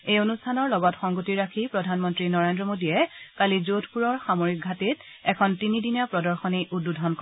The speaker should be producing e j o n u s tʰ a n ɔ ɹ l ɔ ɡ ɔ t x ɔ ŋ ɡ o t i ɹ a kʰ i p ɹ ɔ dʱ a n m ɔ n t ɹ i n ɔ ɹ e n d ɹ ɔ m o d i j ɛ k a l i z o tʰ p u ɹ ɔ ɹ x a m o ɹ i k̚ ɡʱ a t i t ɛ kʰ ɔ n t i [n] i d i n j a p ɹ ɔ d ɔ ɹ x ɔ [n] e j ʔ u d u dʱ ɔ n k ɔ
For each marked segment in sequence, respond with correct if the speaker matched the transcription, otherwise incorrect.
correct, correct

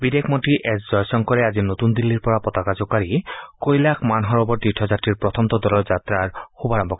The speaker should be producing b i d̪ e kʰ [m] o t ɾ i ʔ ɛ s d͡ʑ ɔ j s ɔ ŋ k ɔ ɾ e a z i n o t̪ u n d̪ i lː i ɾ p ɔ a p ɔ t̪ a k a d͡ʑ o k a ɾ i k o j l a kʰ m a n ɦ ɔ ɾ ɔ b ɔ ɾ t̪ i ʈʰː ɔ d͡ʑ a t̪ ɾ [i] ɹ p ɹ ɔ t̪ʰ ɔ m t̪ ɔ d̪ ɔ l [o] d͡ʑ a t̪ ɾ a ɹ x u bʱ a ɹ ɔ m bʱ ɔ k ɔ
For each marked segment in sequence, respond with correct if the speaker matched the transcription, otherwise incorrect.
correct, correct, incorrect: ɔ

